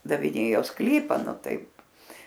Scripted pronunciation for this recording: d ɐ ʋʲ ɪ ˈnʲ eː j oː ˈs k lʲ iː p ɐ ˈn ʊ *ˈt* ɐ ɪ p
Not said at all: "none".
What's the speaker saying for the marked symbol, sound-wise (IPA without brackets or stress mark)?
t